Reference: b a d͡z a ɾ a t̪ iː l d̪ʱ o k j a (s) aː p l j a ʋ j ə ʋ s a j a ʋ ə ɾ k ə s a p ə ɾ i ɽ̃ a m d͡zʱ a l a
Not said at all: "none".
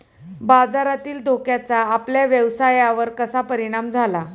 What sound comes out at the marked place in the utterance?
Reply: t͡s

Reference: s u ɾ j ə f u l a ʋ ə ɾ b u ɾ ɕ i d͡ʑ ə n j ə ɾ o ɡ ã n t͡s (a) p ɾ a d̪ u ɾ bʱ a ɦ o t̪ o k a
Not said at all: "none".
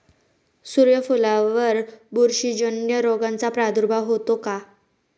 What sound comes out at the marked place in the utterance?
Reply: a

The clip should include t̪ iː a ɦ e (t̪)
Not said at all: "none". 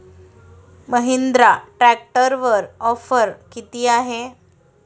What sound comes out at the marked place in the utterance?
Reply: none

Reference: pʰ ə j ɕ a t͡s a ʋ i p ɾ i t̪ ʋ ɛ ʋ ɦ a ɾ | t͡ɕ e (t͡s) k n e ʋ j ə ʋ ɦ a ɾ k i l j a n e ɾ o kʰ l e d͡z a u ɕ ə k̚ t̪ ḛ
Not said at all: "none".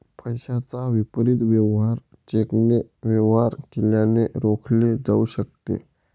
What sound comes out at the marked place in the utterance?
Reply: none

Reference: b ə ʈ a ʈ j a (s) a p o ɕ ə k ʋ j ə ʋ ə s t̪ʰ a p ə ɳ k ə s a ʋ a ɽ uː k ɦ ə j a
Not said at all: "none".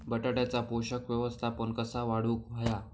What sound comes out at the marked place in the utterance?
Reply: t͡s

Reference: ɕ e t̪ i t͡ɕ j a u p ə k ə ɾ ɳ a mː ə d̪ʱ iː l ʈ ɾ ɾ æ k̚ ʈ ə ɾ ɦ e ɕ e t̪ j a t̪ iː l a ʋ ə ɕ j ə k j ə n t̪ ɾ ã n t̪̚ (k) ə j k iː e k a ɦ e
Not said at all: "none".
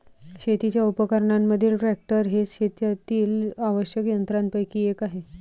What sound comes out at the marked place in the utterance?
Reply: p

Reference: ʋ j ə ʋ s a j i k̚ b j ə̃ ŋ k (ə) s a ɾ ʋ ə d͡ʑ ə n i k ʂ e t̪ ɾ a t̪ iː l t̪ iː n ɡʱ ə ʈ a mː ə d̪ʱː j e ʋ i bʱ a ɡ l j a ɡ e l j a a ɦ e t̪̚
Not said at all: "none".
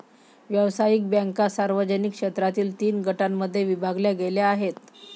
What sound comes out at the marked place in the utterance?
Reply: a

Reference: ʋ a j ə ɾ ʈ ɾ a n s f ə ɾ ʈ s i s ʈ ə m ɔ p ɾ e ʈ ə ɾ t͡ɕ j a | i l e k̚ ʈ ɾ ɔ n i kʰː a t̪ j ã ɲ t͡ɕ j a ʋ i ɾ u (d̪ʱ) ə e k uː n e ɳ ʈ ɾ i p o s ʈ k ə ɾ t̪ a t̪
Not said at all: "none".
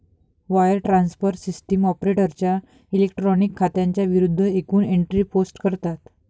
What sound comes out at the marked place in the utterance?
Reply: d̪ʱː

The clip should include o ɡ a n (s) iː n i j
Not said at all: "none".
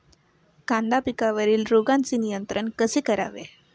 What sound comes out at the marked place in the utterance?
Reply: t͡s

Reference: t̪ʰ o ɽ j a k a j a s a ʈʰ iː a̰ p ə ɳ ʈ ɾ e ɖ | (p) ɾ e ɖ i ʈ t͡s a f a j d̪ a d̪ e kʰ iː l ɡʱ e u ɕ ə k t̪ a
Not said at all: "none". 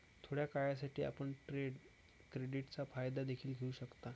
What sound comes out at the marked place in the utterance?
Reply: k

